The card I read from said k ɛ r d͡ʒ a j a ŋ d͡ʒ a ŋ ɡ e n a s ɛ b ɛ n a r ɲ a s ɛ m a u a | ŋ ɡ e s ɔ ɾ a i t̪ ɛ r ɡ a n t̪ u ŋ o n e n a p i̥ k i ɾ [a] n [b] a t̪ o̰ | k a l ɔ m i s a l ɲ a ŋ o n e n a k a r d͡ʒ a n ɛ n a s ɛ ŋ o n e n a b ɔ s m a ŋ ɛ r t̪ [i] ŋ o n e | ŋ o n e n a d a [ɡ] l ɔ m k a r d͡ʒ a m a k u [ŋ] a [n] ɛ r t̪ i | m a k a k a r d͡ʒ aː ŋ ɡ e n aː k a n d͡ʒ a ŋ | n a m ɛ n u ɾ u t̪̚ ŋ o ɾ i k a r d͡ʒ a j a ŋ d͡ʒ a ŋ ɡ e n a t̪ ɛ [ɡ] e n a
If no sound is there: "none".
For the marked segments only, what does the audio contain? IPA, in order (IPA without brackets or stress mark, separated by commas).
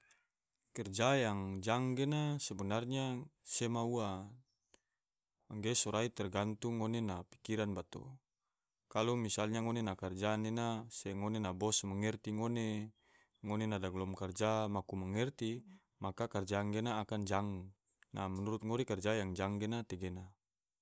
a, b, i, ɡ, m, ŋ, ɡ